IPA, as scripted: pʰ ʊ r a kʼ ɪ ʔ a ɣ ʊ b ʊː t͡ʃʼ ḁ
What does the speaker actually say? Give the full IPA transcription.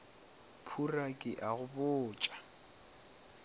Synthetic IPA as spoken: pʰ u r a kʼ ɪ ʔ a ɣ ʊ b ʊː t͡ʃʼ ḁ